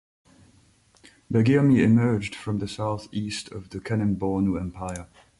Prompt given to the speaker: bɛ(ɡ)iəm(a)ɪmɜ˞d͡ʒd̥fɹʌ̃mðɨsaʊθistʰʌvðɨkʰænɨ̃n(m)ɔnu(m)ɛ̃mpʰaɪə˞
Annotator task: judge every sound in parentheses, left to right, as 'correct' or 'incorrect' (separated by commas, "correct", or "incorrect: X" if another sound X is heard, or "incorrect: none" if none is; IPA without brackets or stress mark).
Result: correct, incorrect: i, incorrect: b, incorrect: none